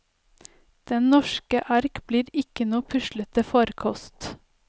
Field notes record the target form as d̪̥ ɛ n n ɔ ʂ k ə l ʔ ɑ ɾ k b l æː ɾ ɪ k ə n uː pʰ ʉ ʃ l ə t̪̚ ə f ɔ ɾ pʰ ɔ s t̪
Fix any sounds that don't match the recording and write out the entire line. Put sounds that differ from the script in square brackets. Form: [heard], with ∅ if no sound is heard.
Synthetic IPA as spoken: d̪̥ ɛ n n ɔ [ʃ] k ə [∅] ʔ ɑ ɾ k b l [iː] ɾ ɪ k ə n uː pʰ ʉ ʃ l ə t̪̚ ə f ɔ ɾ [kʰ] ɔ s t̪